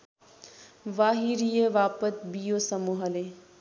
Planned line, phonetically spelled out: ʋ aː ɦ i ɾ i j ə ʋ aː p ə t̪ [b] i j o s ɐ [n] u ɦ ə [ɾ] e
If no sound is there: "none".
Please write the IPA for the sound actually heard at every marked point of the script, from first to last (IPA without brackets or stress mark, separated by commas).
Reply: b, m, l